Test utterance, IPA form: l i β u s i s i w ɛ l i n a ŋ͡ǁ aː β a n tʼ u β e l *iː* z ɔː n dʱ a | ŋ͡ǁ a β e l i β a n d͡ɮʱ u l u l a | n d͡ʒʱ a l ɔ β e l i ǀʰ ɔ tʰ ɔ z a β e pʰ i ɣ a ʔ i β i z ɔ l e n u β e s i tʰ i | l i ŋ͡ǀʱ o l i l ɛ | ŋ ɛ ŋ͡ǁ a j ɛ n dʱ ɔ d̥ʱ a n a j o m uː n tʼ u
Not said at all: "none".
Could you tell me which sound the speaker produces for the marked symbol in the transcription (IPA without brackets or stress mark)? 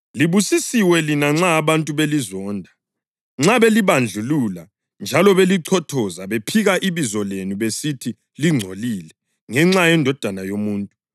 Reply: i